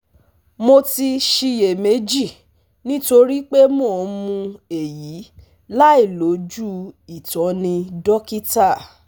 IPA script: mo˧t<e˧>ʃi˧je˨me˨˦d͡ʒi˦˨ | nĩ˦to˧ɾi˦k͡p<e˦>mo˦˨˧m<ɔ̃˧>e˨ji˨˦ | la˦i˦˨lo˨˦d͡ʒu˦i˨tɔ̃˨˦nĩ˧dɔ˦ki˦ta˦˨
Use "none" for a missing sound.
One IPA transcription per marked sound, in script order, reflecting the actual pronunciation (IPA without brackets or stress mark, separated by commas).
i˧, e˦, ũ˧